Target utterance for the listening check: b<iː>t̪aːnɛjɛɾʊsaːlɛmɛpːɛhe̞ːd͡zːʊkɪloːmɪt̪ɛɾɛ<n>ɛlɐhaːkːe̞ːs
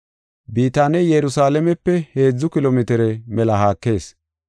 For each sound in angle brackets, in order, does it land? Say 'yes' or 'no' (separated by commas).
yes, no